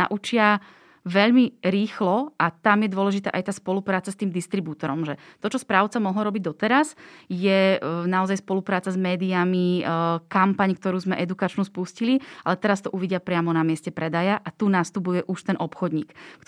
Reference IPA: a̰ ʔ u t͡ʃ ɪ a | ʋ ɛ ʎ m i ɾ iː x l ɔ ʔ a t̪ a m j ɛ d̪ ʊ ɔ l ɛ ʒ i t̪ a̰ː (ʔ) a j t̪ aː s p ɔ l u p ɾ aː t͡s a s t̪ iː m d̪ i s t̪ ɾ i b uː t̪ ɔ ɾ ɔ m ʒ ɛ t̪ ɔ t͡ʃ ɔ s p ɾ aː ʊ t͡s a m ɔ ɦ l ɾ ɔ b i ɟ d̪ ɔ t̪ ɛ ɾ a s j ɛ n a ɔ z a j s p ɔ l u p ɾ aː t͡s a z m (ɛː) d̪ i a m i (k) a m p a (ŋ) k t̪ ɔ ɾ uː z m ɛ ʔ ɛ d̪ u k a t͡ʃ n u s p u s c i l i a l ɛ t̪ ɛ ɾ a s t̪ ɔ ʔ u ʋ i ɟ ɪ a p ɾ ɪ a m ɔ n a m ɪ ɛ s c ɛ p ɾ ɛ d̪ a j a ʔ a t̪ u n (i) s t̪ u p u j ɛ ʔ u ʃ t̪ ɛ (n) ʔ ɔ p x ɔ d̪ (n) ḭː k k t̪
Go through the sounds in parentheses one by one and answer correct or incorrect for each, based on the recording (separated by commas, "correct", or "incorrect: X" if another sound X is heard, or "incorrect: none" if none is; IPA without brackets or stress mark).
correct, correct, correct, incorrect: ɲ, incorrect: a, correct, incorrect: ɲ